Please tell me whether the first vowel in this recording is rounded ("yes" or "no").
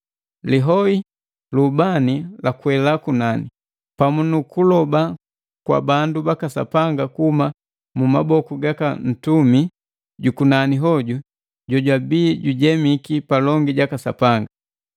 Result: no